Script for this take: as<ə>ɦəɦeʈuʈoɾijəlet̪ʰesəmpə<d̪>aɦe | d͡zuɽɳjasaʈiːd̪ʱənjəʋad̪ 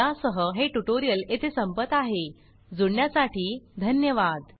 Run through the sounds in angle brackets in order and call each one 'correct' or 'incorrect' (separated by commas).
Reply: correct, incorrect